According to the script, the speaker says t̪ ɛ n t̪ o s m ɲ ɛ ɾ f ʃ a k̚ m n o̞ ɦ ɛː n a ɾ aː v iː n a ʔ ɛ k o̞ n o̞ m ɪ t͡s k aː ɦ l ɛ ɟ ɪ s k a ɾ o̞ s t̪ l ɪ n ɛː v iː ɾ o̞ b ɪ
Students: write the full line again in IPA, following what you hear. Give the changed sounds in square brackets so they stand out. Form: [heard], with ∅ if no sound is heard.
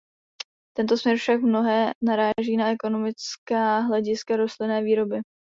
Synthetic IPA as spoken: t̪ ɛ n t̪ o s m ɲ ɛ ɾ f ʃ a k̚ m n o̞ ɦ ɛː n a ɾ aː [ʒ] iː n a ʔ ɛ k o̞ n o̞ m ɪ t͡s k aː ɦ l ɛ ɟ ɪ s k a ɾ o̞ s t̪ l ɪ n ɛː v iː ɾ o̞ b ɪ